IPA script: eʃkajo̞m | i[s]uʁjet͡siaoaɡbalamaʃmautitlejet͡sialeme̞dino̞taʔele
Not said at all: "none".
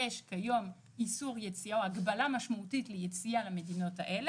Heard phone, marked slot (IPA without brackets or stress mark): s